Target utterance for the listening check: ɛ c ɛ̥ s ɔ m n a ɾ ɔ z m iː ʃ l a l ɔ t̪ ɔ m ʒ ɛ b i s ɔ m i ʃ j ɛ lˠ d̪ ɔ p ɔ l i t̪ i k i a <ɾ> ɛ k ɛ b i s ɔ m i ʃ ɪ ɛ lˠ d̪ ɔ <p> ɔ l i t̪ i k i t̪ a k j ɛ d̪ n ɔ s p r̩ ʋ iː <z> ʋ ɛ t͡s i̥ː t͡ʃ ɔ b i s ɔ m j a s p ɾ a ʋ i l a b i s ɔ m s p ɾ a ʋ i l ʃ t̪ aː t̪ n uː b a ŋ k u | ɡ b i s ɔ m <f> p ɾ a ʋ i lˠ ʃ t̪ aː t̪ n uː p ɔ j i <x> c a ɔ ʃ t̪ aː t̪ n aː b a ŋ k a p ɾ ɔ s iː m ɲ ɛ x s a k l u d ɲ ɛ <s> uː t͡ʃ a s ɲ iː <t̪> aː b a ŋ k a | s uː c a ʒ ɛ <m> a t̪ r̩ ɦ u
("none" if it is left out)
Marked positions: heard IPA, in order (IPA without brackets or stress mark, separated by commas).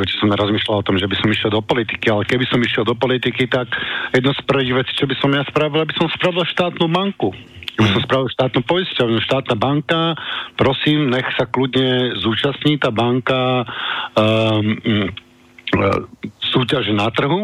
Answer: l, p, ɣ, s, s, z, t̪, n